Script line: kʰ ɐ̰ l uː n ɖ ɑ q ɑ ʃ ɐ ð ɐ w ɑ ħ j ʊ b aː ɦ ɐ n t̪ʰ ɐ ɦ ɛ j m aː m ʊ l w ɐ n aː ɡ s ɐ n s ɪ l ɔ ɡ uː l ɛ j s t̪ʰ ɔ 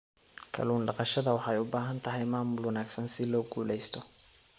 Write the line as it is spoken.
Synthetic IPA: kʰ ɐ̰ l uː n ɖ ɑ q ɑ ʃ ɐ ð ɐ w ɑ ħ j ʊ b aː ɦ ɐ n t̪ʰ ɐ ɦ ɛ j m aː m ʊ l w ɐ n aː ɡ s ɐ n s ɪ l ɔː ɡ uː l ɛ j s t̪ʰ ɔ